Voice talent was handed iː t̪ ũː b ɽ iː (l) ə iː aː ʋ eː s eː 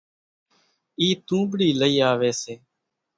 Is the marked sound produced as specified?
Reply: yes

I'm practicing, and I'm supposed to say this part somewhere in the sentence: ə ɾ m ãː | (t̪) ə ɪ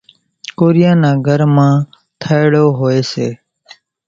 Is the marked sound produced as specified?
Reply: no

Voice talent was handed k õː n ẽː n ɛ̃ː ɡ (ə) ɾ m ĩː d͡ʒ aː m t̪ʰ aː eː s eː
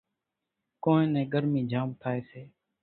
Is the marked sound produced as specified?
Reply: yes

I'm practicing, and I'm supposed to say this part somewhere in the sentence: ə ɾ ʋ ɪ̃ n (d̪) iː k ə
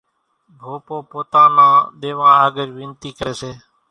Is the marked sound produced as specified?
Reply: no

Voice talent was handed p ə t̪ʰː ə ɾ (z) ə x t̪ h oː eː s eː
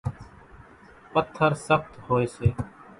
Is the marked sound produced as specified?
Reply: no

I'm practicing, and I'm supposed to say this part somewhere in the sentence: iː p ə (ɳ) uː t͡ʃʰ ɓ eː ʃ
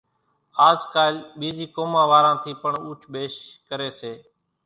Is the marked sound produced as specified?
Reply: yes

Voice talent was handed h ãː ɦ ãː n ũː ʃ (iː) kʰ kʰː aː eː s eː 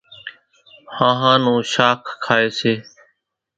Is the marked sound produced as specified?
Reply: no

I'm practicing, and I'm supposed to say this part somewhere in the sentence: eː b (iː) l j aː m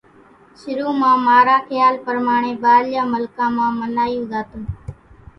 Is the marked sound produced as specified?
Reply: no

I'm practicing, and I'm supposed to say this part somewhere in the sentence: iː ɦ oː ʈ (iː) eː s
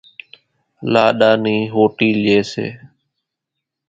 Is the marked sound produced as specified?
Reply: yes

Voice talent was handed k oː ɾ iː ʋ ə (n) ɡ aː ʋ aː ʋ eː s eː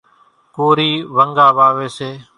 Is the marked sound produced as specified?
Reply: no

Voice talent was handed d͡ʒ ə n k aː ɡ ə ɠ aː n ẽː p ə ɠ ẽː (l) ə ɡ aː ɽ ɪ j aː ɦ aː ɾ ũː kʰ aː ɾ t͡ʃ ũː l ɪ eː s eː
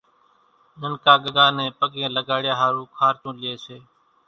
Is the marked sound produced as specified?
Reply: yes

